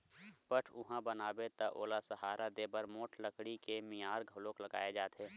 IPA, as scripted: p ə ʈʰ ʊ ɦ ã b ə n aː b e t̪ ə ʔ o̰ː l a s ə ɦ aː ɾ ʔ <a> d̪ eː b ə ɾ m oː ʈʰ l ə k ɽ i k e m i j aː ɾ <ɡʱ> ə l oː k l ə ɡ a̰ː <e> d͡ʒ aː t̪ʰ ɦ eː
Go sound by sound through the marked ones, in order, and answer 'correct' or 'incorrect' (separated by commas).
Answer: correct, correct, correct